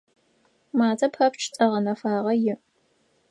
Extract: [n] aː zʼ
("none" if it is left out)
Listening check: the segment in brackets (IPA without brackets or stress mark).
m